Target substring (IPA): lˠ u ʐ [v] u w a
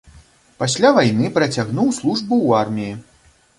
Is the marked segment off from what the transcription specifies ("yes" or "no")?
yes